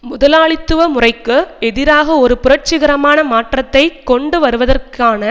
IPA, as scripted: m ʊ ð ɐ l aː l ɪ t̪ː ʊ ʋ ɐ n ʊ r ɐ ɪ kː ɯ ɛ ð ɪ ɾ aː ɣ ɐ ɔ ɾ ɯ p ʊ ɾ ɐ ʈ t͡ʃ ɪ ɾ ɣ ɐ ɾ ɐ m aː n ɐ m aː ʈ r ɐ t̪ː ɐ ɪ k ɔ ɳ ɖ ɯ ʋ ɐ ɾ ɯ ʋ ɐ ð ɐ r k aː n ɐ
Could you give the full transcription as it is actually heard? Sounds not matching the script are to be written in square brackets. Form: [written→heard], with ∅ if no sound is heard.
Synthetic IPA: m ʊ ð ɐ l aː [l→ɭ] ɪ t̪ː [ʊ→ɯ] ʋ ɐ [n→m] ʊ r ɐ ɪ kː ɯ ɛ ð ɪ ɾ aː ɣ ɐ ɔ ɾ ɯ p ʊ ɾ ɐ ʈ t͡ʃ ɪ [ɾ→∅] ɣ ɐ ɾ ɐ m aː n ɐ m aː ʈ r ɐ t̪ː ɐ ɪ k ɔ ɳ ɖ ɯ ʋ ɐ ɾ ɯ ʋ ɐ ð ɐ r k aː n ɐ